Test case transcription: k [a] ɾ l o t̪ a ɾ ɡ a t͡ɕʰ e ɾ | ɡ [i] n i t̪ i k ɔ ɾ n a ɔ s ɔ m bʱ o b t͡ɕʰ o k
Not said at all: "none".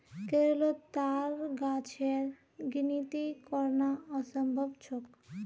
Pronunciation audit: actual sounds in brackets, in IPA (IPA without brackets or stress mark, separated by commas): e, i